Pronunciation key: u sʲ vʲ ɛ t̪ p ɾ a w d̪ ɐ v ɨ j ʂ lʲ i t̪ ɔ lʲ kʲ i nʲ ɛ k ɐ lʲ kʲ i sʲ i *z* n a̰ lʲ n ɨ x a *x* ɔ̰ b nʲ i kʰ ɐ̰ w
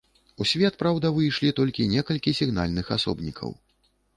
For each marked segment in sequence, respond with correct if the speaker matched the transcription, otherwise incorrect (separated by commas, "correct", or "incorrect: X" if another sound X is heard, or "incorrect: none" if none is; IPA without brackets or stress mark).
incorrect: ɣ, incorrect: s